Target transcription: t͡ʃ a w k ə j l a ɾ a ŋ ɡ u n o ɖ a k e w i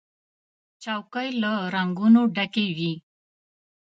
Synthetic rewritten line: t͡ʃ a w k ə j l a ɾ a ŋ ɡ u n o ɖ a k e w i

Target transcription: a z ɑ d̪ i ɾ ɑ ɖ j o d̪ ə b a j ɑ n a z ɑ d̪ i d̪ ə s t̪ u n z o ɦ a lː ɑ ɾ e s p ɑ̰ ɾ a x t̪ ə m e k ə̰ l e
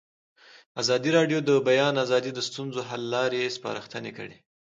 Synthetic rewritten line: a z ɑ d̪ i ɾ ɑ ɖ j o d̪ ə b a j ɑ n a z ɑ d̪ i d̪ ə s t̪ u n z o ɦ a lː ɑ ɾ e s p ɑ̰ ɾ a x t̪ ə n e k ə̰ ɽ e

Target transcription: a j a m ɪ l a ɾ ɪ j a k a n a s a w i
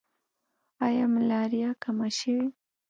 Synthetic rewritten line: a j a m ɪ l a ɾ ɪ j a k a m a ʃ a w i

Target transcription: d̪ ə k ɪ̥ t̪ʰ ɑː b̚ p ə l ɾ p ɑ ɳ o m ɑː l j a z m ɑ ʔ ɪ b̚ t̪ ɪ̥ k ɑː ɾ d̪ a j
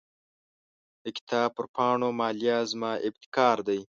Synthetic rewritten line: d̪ ə k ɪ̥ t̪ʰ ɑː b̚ p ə ɾ p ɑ ɳ o m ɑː l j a z m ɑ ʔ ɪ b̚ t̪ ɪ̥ k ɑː ɾ d̪ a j

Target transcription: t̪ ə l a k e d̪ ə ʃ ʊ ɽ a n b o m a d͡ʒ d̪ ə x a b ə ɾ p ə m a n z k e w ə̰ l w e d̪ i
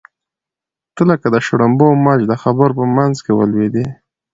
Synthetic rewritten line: t̪ ə l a k a d̪ ə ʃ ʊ ɽ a m b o m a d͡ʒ d̪ ə x a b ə ɾ p ə m a n z k e w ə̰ l w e d̪ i

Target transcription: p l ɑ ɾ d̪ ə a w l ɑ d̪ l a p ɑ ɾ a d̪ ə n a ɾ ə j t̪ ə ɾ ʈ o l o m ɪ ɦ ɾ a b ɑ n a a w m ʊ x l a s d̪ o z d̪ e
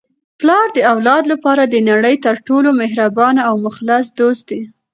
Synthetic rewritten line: p l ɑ ɾ d̪ ə a w l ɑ d̪ l a p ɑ ɾ a d̪ ə n a ɽ ə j t̪ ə ɾ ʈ o l o m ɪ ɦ ɾ a b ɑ n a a w m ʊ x l a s d̪ o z d̪ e

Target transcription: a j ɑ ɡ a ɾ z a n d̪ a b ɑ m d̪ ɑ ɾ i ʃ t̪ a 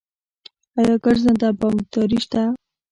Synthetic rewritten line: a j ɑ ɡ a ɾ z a n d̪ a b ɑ m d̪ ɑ ɾ i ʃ t̪ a

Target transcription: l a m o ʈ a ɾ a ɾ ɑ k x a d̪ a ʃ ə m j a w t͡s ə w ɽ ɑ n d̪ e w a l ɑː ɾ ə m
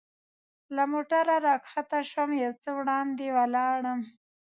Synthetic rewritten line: l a m o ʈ a ɾ a ɾ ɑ k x a t̪ a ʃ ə m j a w t͡s ə w ɽ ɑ n d̪ e w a l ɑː ɽ ə m

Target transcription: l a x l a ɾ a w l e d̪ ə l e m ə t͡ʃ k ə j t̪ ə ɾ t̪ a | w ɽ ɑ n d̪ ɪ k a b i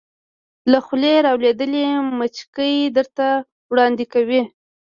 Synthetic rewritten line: l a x l e ɾ ɑ w l e d̪ ə l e m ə t͡ʃ k ə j d̪ ə ɾ t̪ a | w ɽ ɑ n d̪ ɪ k a w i

